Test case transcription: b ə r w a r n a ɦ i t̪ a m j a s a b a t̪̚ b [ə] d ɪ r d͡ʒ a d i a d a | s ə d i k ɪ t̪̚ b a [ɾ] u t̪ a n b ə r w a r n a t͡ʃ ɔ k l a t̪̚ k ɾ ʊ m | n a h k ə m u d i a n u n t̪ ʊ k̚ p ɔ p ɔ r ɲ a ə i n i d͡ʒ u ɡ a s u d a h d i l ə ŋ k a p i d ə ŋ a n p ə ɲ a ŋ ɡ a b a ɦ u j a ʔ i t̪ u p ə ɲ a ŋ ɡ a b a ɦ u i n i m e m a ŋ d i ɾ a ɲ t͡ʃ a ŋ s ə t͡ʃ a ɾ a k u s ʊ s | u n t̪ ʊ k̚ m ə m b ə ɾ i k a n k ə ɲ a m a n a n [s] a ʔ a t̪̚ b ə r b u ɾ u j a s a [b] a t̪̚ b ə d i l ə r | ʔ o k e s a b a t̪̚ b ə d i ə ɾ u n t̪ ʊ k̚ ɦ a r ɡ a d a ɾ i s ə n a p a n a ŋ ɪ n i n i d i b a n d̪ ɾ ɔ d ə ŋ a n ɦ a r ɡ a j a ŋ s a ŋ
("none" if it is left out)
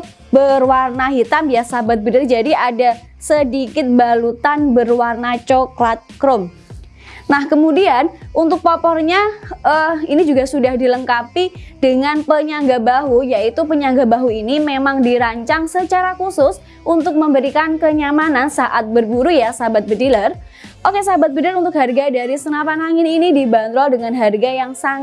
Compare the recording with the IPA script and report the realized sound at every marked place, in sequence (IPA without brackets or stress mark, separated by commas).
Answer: ə, l, s, b